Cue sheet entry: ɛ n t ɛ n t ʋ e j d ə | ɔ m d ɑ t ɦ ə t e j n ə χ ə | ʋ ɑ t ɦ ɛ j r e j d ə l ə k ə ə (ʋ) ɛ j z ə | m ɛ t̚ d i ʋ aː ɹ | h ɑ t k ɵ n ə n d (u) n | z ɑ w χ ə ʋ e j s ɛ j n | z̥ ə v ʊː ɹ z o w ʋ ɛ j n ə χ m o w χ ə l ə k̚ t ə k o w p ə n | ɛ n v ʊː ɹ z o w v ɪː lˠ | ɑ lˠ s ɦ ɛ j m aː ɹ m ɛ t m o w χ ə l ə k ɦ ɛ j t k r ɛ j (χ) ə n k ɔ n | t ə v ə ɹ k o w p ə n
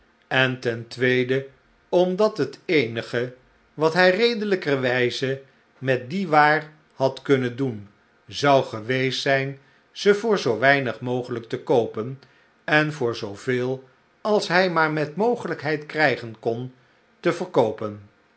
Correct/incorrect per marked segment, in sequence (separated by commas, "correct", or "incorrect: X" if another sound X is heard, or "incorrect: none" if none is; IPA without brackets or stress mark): correct, correct, correct